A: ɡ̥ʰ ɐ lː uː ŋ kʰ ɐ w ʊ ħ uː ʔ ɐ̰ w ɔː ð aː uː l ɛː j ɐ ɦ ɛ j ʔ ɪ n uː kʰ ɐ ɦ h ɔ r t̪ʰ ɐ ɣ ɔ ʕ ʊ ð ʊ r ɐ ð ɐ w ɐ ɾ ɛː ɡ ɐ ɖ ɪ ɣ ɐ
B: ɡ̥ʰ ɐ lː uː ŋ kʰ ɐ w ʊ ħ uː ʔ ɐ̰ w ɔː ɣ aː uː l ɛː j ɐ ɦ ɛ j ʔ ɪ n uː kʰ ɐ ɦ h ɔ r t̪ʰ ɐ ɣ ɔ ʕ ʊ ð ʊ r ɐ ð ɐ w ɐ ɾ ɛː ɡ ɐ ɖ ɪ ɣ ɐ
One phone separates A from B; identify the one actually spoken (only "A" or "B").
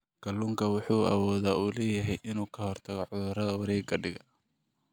A